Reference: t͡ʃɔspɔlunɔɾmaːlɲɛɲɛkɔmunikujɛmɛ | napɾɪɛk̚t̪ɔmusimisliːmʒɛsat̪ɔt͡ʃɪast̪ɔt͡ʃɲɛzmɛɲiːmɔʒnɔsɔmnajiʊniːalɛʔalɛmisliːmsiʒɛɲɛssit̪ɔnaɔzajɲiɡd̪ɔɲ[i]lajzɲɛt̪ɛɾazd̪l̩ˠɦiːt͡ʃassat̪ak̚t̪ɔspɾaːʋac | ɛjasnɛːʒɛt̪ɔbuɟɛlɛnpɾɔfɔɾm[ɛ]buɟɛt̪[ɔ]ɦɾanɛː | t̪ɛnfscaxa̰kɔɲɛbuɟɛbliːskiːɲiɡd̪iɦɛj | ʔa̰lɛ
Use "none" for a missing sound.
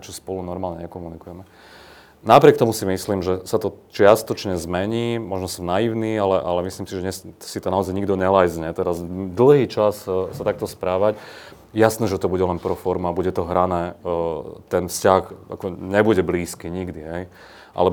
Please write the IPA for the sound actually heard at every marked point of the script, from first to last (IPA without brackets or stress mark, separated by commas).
ɛ, a, ɔ